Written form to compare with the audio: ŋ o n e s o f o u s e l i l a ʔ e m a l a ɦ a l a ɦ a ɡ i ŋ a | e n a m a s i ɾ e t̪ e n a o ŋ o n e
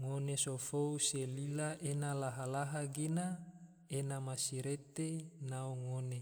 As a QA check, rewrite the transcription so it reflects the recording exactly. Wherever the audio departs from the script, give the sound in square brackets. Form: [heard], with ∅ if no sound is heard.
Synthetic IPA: ŋ o n e s o f o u s e l i l a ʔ e [n] a l a ɦ a l a ɦ a ɡ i [n] a | e n a m a s i ɾ e t̪ e n a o ŋ o n e